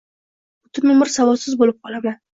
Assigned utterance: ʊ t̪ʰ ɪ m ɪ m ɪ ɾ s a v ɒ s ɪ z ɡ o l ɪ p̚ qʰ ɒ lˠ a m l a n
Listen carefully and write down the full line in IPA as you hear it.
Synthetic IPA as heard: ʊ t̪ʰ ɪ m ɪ m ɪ ɾ s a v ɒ s ɪ z b o l ɪ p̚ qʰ ɒ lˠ a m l a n